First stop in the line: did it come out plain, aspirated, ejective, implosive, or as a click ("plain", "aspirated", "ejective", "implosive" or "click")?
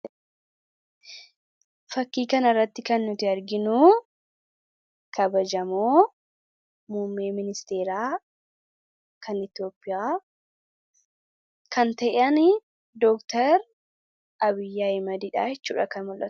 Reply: plain